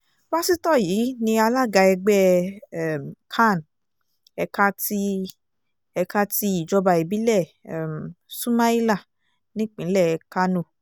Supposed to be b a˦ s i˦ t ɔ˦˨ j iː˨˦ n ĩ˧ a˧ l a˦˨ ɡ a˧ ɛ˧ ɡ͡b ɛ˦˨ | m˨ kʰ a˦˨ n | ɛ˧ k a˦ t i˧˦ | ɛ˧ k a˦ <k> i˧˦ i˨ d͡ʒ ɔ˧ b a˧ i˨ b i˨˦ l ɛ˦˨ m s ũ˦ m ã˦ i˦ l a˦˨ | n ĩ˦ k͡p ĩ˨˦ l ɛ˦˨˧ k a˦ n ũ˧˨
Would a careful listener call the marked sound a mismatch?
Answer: yes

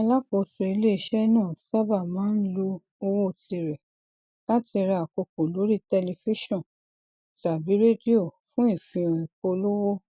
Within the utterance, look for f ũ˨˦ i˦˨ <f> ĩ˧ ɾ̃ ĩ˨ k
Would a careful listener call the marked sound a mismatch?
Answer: no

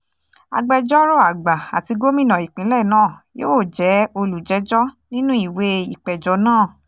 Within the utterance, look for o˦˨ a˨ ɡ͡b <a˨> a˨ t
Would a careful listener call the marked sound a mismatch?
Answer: no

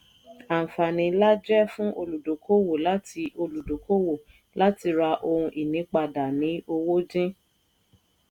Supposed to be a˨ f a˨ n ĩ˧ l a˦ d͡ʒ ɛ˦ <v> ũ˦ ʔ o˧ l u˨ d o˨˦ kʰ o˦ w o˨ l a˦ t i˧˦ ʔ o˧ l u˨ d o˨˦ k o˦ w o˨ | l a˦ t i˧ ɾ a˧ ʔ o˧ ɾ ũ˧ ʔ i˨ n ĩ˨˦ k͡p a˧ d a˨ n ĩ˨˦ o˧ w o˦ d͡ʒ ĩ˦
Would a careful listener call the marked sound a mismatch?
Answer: yes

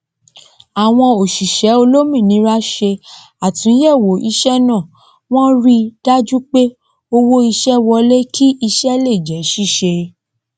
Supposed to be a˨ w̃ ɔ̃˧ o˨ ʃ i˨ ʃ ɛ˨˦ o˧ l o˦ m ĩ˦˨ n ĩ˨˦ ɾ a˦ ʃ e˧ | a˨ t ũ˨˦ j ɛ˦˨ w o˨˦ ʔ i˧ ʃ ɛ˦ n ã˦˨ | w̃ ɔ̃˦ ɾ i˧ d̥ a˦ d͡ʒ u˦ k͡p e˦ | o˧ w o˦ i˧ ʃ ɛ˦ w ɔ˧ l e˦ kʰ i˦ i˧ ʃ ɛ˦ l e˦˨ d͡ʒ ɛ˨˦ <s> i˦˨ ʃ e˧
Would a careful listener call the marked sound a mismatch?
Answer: yes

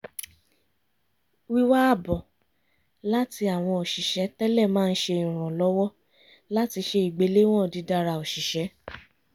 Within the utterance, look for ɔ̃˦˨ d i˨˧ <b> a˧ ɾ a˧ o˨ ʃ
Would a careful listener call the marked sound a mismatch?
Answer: yes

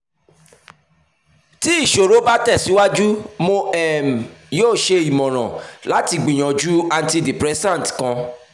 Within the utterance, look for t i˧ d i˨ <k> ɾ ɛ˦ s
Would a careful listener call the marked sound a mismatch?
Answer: yes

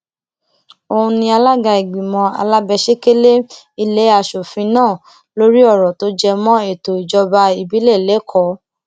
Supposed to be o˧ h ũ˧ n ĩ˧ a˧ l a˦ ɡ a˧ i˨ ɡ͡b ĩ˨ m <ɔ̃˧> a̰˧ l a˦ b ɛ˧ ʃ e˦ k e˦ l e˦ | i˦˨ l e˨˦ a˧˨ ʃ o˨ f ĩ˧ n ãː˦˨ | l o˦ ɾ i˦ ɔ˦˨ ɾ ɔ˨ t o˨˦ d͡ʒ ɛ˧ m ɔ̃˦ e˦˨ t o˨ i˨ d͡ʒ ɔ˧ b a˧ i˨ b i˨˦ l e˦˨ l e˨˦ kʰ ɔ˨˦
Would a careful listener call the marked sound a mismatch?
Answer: no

